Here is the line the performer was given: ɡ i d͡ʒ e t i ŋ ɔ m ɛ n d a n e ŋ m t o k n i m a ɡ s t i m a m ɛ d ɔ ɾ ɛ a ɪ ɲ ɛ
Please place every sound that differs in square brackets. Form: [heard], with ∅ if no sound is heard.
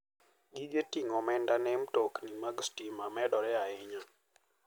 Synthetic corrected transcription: ɡ i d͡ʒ e t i ŋ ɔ m ɛ n d a n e [∅] m t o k n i m a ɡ s t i m a m ɛ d ɔ ɾ ɛ a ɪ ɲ [a]